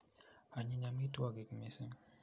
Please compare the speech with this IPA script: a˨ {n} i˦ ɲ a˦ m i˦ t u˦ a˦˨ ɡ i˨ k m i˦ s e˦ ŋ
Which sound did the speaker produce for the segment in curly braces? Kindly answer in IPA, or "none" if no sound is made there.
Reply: ɲ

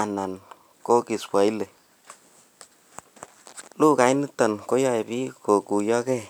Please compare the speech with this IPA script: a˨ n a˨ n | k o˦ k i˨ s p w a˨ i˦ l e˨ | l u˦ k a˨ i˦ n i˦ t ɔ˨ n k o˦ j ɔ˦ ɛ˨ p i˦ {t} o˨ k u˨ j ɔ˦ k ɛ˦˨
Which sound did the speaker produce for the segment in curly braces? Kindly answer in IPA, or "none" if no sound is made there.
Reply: k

